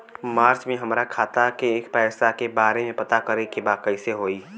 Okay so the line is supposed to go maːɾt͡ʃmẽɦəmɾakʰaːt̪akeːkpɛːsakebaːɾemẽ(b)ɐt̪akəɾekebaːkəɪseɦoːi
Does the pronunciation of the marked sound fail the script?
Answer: yes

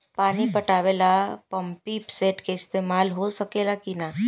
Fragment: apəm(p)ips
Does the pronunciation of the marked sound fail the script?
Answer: no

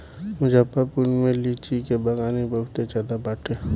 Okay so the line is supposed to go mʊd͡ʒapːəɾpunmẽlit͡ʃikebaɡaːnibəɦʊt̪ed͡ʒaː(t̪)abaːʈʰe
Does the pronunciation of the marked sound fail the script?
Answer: yes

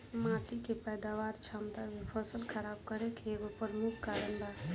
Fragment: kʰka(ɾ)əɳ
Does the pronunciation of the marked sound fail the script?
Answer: no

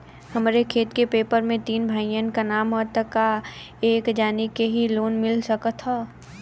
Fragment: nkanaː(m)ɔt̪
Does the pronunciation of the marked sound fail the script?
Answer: no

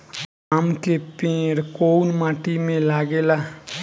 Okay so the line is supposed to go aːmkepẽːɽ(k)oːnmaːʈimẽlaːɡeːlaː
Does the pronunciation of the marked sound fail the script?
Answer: no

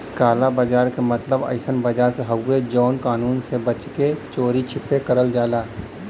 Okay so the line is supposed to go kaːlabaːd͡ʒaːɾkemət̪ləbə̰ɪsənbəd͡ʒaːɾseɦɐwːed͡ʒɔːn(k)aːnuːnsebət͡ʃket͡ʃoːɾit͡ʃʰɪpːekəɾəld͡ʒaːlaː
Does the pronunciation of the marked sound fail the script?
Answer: no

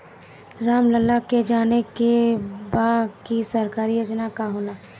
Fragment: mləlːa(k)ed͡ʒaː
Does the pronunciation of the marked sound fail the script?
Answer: no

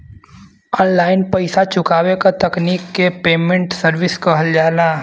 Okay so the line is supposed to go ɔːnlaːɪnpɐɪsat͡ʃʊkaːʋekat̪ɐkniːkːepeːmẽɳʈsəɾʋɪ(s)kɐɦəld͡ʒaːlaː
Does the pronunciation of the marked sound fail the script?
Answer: no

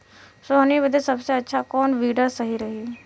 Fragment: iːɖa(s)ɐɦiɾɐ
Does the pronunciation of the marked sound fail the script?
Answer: no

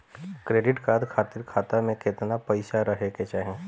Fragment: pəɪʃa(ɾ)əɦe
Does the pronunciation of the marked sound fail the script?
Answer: no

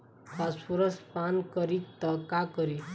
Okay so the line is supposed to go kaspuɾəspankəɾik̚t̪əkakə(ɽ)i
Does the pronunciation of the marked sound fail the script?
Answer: yes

